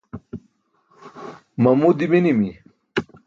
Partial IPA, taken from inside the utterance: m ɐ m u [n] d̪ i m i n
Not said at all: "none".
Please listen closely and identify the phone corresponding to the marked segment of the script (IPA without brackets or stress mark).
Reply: none